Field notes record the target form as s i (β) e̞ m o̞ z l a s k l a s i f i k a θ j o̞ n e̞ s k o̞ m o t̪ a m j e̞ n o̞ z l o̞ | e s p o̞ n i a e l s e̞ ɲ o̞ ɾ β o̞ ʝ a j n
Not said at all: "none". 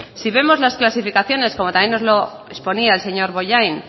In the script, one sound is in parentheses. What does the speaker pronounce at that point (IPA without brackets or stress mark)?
β